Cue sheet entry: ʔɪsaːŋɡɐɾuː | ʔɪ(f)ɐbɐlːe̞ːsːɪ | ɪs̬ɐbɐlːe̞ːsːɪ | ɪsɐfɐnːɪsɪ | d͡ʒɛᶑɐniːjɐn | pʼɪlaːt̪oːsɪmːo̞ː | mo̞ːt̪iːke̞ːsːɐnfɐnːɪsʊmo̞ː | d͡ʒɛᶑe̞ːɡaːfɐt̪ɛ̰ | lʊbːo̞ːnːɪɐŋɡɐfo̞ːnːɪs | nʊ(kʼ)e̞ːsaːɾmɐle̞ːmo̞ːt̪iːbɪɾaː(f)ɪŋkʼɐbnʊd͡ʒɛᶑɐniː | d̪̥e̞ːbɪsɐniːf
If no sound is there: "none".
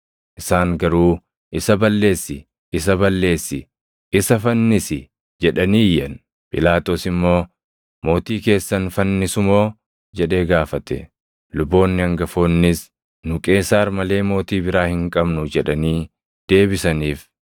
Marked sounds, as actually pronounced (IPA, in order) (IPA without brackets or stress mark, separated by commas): s, kʼ, h